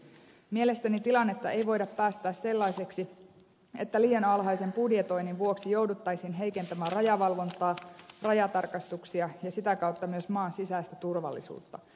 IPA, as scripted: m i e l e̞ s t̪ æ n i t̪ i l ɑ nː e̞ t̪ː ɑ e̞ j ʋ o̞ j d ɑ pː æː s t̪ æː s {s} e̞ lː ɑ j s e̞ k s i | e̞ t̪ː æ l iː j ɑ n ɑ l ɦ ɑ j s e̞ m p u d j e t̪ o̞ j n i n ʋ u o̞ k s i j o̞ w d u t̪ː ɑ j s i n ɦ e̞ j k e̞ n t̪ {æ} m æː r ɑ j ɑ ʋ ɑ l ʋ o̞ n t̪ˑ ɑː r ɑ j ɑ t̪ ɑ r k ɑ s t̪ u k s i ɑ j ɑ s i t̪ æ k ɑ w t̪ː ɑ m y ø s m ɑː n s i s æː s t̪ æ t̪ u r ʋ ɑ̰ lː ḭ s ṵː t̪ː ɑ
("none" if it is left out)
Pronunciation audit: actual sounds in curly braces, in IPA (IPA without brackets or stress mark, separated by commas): s, æ